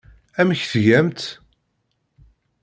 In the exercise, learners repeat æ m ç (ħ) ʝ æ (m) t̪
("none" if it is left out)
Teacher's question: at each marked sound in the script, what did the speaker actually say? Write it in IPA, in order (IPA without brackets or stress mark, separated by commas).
θ, m